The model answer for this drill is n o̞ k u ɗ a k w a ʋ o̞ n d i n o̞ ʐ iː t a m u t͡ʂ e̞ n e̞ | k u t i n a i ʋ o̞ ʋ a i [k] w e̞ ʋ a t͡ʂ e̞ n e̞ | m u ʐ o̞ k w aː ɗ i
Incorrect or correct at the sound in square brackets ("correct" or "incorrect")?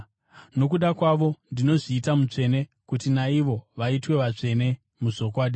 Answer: incorrect